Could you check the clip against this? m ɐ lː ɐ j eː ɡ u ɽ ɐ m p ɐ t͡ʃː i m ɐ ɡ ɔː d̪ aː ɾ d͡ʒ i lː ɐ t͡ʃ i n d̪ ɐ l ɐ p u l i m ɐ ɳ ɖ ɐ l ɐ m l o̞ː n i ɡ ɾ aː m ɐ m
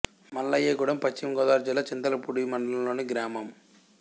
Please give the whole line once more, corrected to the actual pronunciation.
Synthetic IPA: m ɐ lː ɐ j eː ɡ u ɽ ɐ m p ɐ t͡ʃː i m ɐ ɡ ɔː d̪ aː ɾ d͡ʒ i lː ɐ t͡ʃ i n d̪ ɐ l ɐ p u ɽ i m ɐ ɳ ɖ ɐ l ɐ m l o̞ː n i ɡ ɾ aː m ɐ m